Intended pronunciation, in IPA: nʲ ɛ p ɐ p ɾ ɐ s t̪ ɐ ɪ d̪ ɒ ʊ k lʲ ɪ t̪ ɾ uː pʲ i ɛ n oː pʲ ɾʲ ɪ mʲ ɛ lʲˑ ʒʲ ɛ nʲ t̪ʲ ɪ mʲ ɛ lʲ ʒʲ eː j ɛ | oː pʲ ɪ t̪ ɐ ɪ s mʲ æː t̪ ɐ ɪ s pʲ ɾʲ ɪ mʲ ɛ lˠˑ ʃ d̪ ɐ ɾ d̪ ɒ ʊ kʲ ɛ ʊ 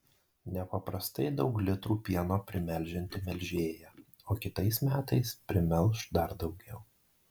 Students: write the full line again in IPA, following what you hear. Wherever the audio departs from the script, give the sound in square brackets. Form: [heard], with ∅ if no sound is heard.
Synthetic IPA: nʲ ɛ p ɐ p ɾ ɐ s t̪ ɐ ɪ d̪ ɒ ʊ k lʲ ɪ t̪ ɾ uː pʲ i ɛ n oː pʲ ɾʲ ɪ mʲ ɛ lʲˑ ʒʲ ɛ nʲ t̪ʲ ɪ mʲ ɛ lʲ ʒʲ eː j ɛ | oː [kʲ] ɪ t̪ ɐ ɪ s mʲ æː t̪ ɐ ɪ s pʲ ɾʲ ɪ mʲ ɛ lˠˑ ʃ d̪ ɐ ɾ d̪ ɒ ʊ [ɡʲ] ɛ ʊ

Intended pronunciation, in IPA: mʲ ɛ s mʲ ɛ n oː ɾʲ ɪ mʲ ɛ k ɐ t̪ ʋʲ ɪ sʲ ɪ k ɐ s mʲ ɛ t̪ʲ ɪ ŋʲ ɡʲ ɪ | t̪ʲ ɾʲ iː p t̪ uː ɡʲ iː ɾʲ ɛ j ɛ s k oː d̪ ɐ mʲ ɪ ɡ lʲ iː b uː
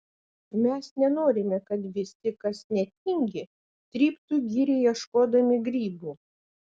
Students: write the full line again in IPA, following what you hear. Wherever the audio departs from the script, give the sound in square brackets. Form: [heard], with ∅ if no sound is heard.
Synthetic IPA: mʲ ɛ s [nʲ] ɛ n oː ɾʲ ɪ mʲ ɛ k ɐ t̪ ʋʲ ɪ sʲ ɪ k ɐ s [nʲ] ɛ t̪ʲ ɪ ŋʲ ɡʲ ɪ | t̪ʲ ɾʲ iː p t̪ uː ɡʲ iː ɾʲ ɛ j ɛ [ʃ] k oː d̪ ɐ mʲ ɪ ɡ [ɾʲ] iː b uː

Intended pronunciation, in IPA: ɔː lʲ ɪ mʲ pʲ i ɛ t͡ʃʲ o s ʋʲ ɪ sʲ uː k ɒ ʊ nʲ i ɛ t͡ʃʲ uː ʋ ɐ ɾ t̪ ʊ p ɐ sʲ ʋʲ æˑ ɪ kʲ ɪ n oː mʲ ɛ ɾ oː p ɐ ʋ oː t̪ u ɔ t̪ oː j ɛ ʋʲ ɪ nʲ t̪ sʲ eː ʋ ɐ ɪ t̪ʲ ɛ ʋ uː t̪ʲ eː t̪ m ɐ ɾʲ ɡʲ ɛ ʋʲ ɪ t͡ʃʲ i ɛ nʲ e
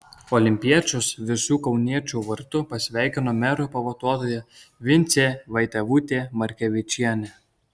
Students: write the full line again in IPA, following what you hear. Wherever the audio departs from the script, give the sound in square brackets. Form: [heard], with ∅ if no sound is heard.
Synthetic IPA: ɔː lʲ ɪ mʲ pʲ i ɛ t͡ʃʲ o s ʋʲ ɪ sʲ uː k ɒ ʊ nʲ i ɛ t͡ʃʲ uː ʋ ɐ ɾ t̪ ʊ p ɐ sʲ ʋʲ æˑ ɪ kʲ ɪ n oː mʲ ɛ ɾ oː p ɐ ʋ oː t̪ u ɔ t̪ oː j ɛ ʋʲ ɪ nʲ t̪ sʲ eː ʋ ɐ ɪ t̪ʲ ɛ ʋ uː t̪ʲ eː [∅] m ɐ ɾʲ [kʲ] ɛ ʋʲ ɪ t͡ʃʲ i ɛ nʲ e

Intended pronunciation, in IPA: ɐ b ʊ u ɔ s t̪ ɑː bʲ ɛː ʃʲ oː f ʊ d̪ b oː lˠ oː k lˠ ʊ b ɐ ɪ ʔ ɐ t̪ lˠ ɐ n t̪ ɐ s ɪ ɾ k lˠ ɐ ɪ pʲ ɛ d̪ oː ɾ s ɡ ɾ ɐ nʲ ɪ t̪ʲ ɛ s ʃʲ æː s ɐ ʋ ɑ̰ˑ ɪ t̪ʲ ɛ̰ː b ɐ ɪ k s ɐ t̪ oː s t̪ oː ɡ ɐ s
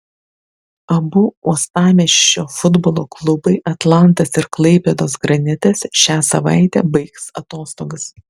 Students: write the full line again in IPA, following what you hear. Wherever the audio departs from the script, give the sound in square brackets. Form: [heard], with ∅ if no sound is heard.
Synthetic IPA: ɐ b ʊ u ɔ s t̪ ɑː [mʲ] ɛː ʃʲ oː f ʊ d̪ b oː lˠ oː k lˠ ʊ b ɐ ɪ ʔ ɐ t̪ lˠ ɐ n t̪ ɐ s ɪ ɾ k lˠ ɐ ɪ pʲ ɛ d̪ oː [∅] s ɡ ɾ ɐ nʲ ɪ t̪ʲ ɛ s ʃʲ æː s ɐ ʋ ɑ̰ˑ ɪ t̪ʲ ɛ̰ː b ɐ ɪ k s ɐ t̪ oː s t̪ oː ɡ ɐ s

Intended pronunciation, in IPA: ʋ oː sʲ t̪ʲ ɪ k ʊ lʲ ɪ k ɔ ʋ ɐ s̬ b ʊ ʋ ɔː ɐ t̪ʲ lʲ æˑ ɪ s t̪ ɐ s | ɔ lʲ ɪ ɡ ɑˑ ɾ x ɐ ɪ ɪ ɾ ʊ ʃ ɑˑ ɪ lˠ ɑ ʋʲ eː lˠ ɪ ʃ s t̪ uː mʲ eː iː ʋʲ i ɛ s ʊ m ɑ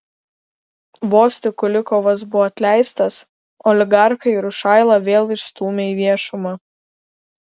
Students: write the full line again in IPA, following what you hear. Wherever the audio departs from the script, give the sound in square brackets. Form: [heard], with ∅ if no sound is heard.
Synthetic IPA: ʋ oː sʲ t̪ʲ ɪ k ʊ lʲ ɪ k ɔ ʋ ɐ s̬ b ʊ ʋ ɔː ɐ t̪ʲ lʲ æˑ ɪ s t̪ ɐ s | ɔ lʲ ɪ ɡ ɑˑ ɾ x ɐ ɪ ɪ ɾ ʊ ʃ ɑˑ ɪ lˠ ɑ ʋʲ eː lˠ ɪ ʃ s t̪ uː mʲ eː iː ʋʲ i ɛ [ʃ] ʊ m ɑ

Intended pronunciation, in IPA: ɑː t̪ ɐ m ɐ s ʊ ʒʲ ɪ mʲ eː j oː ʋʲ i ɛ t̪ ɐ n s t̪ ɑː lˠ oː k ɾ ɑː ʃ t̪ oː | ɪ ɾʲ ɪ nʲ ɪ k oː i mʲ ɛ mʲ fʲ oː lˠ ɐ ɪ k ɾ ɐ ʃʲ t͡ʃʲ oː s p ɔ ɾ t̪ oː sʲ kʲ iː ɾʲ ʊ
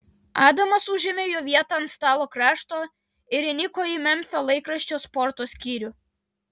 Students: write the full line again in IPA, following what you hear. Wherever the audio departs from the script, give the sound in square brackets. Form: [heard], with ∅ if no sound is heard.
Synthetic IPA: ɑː [d̪] ɐ m ɐ s ʊ ʒʲ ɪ mʲ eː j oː ʋʲ i ɛ t̪ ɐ n s t̪ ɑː lˠ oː k ɾ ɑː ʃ t̪ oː | ɪ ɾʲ ɪ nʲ ɪ k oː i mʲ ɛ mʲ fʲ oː lˠ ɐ ɪ k ɾ ɐ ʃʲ t͡ʃʲ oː s p ɔ ɾ t̪ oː sʲ kʲ iː ɾʲ ʊ

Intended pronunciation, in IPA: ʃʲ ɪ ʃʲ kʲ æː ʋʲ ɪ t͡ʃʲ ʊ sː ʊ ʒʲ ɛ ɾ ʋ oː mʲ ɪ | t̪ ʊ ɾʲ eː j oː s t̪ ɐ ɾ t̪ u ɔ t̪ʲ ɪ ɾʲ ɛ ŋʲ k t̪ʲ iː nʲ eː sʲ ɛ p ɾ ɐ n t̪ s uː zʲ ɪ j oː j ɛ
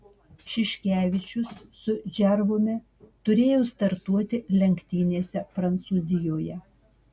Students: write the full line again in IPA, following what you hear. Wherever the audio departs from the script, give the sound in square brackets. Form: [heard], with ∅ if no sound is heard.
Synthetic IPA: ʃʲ ɪ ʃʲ kʲ æː ʋʲ ɪ t͡ʃʲ ʊ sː ʊ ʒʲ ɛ ɾ ʋ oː mʲ ɪ | t̪ ʊ ɾʲ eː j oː s t̪ ɐ ɾ t̪ u ɔ t̪ʲ ɪ [lʲ] ɛ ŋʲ k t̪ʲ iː nʲ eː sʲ ɛ p ɾ ɐ n t̪ s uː zʲ ɪ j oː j ɛ

